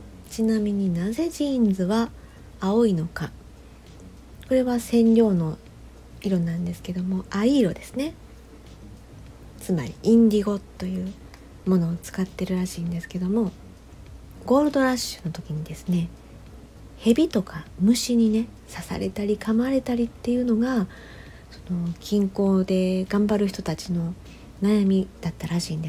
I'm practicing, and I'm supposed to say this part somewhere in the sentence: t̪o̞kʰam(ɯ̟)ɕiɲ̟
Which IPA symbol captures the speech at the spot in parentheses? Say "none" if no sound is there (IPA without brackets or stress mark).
ɯ̟